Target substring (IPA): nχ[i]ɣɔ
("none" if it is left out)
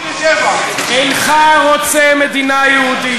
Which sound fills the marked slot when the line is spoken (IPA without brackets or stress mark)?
a